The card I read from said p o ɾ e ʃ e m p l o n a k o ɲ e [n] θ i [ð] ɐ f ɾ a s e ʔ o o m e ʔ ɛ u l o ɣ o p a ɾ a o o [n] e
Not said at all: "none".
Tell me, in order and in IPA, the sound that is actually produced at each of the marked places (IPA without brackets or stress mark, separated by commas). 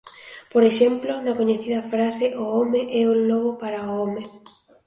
none, ð, m